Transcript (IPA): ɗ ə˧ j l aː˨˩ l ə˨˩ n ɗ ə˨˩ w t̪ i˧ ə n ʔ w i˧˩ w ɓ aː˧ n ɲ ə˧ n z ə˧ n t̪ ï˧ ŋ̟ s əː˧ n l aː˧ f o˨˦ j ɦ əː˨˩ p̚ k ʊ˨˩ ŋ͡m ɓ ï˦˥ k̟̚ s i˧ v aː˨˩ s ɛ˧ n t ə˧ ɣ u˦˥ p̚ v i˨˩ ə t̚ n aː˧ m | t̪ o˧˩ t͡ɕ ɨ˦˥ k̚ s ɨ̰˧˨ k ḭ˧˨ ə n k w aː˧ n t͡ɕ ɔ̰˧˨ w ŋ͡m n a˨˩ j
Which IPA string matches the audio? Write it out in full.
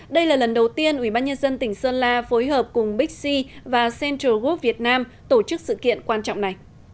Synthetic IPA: ɗ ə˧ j l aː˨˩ l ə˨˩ n ɗ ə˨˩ w t̪ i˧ ə n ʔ w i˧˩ ɓ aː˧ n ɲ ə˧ n z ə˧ n t̪ ï˧˩ ŋ̟ s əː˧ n l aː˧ f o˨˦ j ɦ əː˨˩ p̚ k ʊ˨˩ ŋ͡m ɓ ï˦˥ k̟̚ s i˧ v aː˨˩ s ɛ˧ n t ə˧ ɣ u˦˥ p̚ v i˨˩ ə t̚ n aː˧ m | t̪ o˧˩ t͡ɕ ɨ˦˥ k̚ s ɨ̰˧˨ k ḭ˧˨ ə n k w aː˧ n t͡ɕ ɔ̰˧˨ w ŋ͡m n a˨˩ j

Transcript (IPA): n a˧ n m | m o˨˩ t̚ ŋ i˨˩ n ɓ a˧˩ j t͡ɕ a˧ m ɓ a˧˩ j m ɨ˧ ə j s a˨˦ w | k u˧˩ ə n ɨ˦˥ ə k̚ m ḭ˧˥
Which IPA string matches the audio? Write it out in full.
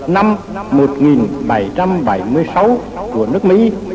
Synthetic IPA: n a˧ m | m o˨˩ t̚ ŋ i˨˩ n ɓ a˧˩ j t͡ɕ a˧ m ɓ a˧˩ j m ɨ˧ ə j s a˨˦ w | k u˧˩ ə n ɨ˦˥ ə k̚ m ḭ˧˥

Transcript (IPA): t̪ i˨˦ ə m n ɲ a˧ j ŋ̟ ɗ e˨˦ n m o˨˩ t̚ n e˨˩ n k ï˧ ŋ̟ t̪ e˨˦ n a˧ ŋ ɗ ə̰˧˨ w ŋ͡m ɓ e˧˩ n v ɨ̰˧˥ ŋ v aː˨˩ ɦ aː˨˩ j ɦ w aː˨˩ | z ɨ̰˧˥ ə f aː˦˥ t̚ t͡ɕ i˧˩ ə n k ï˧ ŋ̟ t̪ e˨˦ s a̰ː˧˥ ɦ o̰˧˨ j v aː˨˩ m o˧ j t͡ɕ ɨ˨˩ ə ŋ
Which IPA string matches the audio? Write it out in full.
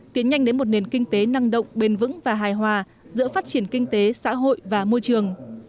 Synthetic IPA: t̪ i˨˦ ə n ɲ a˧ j ŋ̟ ɗ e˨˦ n m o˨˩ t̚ n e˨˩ n k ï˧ ŋ̟ t̪ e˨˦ n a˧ ŋ ɗ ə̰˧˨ w ŋ͡m ɓ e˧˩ n v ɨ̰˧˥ ŋ v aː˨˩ ɦ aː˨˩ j ɦ w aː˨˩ | z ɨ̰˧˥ ə f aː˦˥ t̚ t͡ɕ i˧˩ ə n k ï˧ ŋ̟ t̪ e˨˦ s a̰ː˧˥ ɦ o̰˧˨ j v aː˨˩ m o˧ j t͡ɕ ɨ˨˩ ə ŋ

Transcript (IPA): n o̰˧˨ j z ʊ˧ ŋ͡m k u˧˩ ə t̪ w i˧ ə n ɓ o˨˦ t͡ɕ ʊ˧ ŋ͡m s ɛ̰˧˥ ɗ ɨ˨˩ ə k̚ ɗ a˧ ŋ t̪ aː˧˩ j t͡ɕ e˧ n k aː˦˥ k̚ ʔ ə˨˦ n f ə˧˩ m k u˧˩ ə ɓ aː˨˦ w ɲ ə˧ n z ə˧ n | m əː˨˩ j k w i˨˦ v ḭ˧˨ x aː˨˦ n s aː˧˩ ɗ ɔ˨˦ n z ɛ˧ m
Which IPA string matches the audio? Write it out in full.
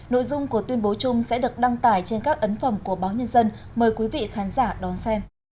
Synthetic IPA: n o̰˧˨ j z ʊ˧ ŋ͡m k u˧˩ ə t̪ w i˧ ə n ɓ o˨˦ t͡ɕ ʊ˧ ŋ͡m s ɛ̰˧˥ ɗ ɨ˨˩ ə k̚ ɗ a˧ ŋ t̪ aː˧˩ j t͡ɕ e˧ n k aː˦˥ k̚ ʔ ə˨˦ n f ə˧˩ m k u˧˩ ə ɓ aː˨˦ w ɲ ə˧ n z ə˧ n | m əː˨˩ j k w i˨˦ v ḭ˧˨ x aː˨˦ n z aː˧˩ ɗ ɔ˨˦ n s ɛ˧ m

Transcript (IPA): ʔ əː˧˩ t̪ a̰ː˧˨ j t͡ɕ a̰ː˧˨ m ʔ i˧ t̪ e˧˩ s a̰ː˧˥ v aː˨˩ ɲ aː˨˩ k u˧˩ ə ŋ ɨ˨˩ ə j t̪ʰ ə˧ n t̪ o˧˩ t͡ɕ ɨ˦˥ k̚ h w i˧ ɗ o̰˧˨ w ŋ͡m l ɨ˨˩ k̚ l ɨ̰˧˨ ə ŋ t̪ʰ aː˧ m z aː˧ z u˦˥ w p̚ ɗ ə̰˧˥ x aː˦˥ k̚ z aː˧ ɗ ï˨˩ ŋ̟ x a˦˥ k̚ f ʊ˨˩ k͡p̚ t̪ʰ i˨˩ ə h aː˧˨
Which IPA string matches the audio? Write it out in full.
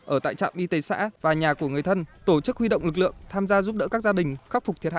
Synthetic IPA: ʔ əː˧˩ t̪ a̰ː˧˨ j t͡ɕ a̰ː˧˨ m ʔ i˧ t̪ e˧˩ s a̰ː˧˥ v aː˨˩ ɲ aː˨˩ k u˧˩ ə ŋ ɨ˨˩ ə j t̪ʰ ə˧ n t̪ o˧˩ t͡ɕ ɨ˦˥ k̚ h w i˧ ɗ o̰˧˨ w ŋ͡m l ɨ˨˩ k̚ l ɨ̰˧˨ ə ŋ t̪ʰ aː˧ m z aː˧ z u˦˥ p̚ ɗ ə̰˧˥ k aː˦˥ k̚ z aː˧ ɗ ï˨˩ ŋ̟ x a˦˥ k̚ f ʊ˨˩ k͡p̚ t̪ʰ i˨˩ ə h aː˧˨

